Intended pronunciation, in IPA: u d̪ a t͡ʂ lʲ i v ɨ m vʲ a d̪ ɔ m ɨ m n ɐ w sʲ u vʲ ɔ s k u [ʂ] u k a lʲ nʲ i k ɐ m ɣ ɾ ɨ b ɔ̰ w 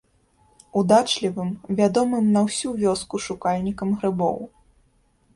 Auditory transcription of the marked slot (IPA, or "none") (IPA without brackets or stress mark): ʂ